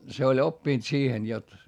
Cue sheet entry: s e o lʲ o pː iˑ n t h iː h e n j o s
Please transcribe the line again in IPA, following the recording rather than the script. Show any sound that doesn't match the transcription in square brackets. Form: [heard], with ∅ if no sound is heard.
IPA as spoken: s e o lʲ o pː iˑ n t [s] iː h e n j o [t]